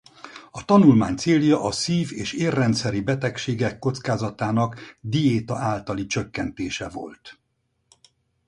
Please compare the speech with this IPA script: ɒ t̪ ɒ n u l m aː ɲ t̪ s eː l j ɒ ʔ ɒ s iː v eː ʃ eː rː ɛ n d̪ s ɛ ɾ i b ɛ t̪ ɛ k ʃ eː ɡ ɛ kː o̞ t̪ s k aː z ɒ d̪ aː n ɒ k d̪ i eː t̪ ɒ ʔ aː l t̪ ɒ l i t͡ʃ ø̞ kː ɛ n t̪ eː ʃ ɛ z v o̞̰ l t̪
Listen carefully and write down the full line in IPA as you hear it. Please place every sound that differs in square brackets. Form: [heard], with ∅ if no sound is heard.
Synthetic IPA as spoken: ɒ t̪ ɒ n u l m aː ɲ t̪ s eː l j ɒ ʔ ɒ s iː v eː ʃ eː rː ɛ n [t̪] s ɛ ɾ i b ɛ t̪ ɛ k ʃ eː ɡ ɛ kː o̞ t̪ s k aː z ɒ [t̪] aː n ɒ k d̪ i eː t̪ ɒ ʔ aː l t̪ ɒ l i t͡ʃ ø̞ kː ɛ n t̪ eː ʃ ɛ [∅] v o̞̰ l t̪